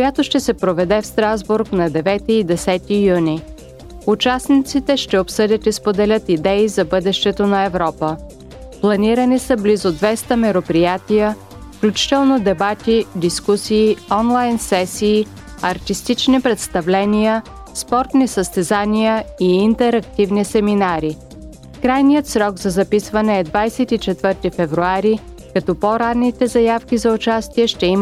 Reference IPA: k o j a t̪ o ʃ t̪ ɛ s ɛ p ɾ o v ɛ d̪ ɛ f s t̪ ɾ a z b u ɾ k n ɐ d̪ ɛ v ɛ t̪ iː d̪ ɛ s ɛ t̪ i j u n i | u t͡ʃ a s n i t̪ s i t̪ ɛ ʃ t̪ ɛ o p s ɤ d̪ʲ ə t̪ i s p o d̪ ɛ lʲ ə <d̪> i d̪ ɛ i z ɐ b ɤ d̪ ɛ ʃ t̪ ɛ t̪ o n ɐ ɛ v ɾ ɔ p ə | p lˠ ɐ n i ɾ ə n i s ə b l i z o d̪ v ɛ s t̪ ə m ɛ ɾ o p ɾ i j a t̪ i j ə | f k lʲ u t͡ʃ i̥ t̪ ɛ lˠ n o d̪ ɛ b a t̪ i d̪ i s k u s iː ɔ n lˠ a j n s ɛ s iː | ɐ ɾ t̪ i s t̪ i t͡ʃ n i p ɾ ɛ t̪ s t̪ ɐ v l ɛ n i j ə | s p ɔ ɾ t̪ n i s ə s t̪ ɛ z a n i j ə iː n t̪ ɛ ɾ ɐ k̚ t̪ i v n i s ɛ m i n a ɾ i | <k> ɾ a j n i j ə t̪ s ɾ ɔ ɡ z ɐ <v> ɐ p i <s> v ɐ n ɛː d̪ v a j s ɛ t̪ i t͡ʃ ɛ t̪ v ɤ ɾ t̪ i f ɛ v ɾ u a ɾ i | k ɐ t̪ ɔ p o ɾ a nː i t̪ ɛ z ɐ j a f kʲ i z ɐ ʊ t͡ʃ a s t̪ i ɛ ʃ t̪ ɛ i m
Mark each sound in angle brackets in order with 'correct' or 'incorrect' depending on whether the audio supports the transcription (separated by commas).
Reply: incorrect, correct, incorrect, correct